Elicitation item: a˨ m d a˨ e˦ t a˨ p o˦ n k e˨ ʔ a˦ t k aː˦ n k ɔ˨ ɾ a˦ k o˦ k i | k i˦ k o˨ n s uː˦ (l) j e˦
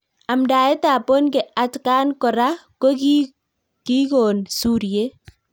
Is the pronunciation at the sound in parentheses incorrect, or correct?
incorrect: ɾ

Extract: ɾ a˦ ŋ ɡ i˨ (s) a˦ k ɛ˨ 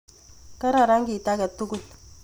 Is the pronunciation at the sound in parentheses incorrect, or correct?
incorrect: t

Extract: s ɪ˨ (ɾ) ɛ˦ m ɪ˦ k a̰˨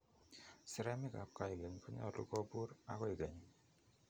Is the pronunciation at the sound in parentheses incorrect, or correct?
correct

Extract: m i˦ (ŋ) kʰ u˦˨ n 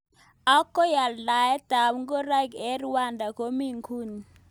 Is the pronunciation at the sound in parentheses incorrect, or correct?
correct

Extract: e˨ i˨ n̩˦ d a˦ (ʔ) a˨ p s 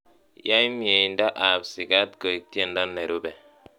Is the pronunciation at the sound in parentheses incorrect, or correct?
correct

